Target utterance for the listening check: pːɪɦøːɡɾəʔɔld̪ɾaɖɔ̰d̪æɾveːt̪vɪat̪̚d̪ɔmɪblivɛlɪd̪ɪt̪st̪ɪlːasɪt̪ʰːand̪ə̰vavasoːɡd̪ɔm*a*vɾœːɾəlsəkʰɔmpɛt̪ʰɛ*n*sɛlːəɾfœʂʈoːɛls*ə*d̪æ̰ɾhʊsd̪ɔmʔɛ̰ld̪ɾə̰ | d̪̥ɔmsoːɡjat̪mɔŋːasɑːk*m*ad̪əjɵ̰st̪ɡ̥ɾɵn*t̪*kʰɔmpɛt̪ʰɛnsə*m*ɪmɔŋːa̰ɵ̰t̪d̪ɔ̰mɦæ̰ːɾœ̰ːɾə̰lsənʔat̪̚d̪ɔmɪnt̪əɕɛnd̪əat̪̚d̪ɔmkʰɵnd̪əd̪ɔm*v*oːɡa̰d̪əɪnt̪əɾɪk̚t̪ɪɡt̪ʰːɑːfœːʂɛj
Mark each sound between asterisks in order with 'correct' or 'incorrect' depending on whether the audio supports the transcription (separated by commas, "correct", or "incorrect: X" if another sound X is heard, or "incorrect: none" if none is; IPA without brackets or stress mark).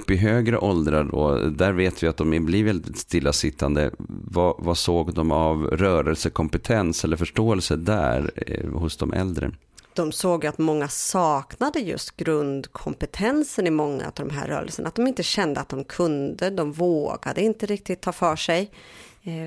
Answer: correct, correct, correct, incorrect: n, incorrect: d̪, incorrect: n, correct